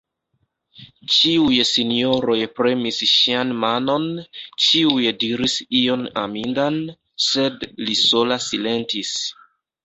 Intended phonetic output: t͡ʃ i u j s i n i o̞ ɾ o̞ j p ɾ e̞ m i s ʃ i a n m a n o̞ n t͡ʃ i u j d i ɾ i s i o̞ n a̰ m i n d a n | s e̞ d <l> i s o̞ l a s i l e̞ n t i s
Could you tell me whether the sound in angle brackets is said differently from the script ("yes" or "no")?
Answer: no